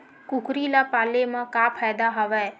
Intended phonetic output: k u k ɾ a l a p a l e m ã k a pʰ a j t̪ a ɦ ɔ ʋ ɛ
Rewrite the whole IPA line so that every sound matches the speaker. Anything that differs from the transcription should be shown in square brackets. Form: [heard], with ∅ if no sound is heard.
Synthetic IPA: k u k ɾ [i] l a p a l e m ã k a pʰ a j [d̪] a ɦ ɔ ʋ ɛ